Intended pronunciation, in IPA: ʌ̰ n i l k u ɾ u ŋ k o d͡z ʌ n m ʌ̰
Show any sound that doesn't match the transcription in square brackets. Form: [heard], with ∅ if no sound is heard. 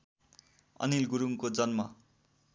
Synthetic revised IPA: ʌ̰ n i l [ɡ] u ɾ u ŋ k o d͡z ʌ n m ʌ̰